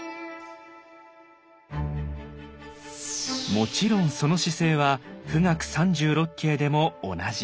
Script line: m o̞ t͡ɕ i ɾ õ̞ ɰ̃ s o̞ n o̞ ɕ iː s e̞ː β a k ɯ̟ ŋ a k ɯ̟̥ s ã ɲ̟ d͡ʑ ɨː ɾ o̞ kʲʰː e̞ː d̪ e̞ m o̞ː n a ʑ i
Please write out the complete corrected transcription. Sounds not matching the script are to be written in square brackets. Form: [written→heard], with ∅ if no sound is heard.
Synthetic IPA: m o̞ t͡ɕ i ɾ õ̞ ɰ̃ s o̞ n o̞ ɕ [iː→i] s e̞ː β a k ɯ̟ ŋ a k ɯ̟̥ s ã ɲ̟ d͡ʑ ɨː ɾ o̞ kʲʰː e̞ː d̪ e̞ m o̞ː n a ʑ i